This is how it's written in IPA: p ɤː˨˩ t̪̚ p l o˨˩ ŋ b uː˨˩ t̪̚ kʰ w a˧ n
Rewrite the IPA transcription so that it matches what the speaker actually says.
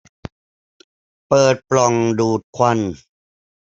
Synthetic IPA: p ɤː˨˩ t̪̚ p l ɔ˨˩ ŋ d uː˨˩ t̪̚ kʰ w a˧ n